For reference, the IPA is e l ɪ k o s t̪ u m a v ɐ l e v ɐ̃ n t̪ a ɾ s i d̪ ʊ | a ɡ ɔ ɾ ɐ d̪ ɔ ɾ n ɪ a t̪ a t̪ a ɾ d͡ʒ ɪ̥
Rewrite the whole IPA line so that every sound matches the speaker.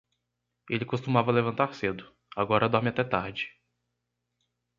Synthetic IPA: e l ɪ k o s t̪ u m a v ɐ l e v ɐ̃ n t̪ a ɾ s e d̪ ʊ | a ɡ ɔ ɾ ɐ d̪ ɔ ɾ m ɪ a t̪ ɛ t̪ a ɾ d͡ʒ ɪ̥